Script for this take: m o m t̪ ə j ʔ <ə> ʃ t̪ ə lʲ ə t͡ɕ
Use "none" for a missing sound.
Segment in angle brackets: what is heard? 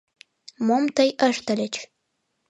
ə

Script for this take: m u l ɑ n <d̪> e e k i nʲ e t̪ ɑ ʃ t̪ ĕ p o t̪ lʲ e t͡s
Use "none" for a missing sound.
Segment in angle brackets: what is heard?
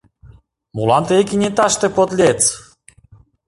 t̪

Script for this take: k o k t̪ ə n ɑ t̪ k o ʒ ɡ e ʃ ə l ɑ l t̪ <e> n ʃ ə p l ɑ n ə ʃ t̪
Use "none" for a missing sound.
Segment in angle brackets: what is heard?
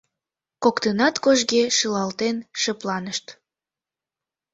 e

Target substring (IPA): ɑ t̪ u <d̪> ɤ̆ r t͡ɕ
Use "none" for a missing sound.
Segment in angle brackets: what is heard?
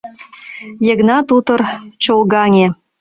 t̪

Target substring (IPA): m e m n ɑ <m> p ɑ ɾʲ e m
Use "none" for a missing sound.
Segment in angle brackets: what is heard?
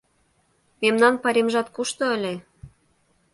n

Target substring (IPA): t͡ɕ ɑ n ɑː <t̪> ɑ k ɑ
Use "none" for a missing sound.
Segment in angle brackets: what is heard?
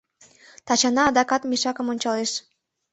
d̪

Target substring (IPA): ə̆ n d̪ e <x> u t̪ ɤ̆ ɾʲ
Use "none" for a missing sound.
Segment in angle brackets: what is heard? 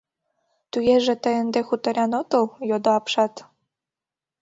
x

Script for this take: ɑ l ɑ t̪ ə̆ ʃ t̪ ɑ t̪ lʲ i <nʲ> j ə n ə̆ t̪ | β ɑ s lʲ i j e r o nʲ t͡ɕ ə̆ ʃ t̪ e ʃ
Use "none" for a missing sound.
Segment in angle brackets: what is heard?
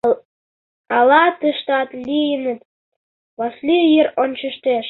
none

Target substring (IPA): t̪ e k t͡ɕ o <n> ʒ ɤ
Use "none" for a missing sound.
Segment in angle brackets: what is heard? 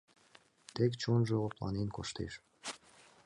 n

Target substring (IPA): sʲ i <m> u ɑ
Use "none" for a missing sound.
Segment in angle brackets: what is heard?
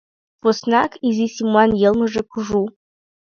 m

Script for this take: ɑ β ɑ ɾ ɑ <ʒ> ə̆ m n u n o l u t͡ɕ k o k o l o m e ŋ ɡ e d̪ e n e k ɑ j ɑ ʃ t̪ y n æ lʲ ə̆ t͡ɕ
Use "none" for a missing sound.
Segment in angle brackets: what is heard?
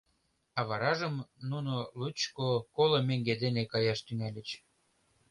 ʒ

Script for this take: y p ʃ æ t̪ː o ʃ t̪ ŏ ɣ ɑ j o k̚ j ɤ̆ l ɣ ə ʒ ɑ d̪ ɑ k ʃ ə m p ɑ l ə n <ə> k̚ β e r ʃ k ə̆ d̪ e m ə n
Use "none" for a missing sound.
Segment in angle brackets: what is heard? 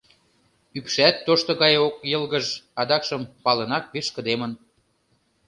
ɑ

